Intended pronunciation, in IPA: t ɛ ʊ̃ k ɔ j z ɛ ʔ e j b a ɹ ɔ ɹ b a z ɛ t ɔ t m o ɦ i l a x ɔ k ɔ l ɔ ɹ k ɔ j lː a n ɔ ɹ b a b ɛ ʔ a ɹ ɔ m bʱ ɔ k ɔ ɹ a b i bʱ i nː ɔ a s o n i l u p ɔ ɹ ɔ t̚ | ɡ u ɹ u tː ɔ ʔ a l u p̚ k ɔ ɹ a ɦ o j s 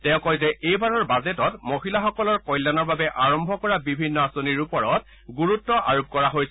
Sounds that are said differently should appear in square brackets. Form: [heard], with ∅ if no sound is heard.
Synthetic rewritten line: t ɛ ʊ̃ k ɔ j z ɛ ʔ e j b a ɹ ɔ ɹ b a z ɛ t ɔ t m o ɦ i l a x ɔ k ɔ l ɔ ɹ k ɔ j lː a n ɔ ɹ b a b ɛ ʔ a ɹ ɔ m bʱ ɔ k ɔ ɹ a b i bʱ i nː ɔ a s o n i [ɹ] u p ɔ ɹ ɔ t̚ | ɡ u ɹ u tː ɔ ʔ a [ɹ] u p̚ k ɔ ɹ a ɦ o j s